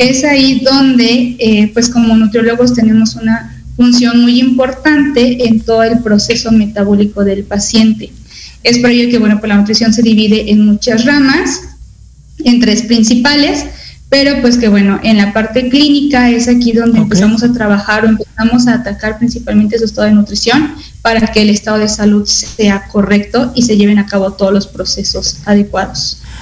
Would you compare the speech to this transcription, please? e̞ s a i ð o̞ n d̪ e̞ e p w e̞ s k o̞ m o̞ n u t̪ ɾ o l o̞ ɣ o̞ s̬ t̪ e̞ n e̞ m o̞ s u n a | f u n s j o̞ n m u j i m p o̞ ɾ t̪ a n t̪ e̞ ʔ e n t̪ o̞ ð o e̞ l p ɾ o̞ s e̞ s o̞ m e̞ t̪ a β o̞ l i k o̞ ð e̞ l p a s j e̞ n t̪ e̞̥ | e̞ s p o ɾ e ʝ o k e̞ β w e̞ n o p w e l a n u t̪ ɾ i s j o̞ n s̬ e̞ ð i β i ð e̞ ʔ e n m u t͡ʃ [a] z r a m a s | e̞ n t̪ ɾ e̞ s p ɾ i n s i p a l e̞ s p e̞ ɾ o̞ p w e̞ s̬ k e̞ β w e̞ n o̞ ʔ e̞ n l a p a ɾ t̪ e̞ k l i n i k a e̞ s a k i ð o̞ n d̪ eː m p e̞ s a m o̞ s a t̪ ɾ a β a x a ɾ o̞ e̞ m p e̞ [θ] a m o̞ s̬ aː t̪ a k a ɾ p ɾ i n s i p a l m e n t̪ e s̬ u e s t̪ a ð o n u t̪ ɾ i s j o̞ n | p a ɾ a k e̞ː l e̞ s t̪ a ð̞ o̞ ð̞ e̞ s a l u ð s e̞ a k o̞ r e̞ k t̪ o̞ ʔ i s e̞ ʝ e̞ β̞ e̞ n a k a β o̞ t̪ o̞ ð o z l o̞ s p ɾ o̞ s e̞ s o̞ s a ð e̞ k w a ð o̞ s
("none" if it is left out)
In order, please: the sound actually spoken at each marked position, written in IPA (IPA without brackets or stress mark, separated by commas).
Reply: a, s